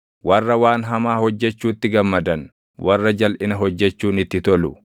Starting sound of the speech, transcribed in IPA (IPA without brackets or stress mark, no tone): w